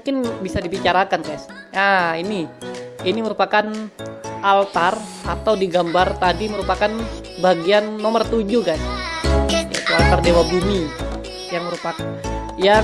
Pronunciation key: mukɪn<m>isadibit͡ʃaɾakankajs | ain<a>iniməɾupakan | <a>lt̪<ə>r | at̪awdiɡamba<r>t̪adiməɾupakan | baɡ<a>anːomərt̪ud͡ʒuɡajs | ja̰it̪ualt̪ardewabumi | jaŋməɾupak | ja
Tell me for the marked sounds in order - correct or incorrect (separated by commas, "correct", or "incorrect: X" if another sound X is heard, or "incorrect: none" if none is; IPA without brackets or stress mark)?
incorrect: b, incorrect: i, correct, incorrect: a, correct, incorrect: i